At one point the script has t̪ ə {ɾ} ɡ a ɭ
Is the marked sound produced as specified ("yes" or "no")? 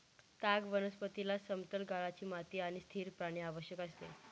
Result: no